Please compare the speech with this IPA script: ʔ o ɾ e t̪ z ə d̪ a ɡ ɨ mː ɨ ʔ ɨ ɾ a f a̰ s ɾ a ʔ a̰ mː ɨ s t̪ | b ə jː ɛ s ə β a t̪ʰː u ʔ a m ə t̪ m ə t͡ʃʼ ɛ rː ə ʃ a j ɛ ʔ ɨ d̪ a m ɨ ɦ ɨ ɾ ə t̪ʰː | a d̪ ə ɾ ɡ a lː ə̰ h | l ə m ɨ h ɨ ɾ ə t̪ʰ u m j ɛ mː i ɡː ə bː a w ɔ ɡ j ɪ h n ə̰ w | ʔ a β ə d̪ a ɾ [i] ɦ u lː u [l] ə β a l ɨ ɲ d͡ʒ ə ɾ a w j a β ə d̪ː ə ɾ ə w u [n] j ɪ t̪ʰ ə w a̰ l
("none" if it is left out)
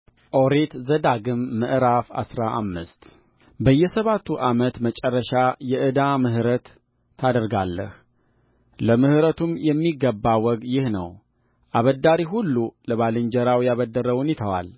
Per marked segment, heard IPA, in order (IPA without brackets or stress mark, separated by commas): i, l, n